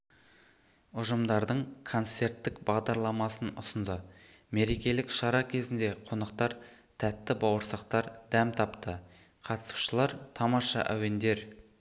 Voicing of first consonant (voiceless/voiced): voiced